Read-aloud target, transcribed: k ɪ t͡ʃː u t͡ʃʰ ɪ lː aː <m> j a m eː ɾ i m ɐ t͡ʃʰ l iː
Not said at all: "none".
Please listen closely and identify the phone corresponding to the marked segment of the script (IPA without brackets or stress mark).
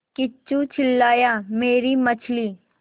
none